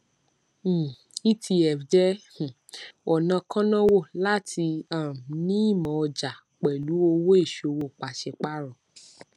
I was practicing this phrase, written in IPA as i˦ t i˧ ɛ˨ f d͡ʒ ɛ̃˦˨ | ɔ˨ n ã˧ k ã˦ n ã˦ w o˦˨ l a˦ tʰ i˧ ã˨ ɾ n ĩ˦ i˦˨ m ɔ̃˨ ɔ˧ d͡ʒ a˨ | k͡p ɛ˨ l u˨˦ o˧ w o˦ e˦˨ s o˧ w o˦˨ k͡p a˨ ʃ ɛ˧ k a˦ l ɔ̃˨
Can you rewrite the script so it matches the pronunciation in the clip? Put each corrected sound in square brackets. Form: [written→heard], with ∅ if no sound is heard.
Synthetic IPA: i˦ t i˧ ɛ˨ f d͡ʒ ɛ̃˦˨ | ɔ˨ n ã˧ k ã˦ n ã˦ w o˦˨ l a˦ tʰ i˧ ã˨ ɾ n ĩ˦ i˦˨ m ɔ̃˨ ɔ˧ d͡ʒ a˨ | k͡p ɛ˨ l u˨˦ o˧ w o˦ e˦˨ [s→ʃ] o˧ w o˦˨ k͡p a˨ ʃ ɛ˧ [k→k͡p] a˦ [l→ɾ] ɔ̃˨